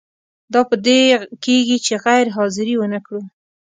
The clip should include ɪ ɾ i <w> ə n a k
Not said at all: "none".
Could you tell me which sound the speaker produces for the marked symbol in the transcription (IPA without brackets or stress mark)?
w